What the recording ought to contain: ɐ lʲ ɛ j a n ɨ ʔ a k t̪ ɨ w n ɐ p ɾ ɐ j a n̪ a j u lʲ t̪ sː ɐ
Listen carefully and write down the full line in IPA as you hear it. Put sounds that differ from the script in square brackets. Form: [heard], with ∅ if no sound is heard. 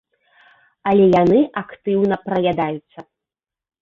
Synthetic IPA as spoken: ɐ lʲ ɛ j a n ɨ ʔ a k t̪ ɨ w n ɐ p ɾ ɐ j a [d̪] a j u [∅] t̪ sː ɐ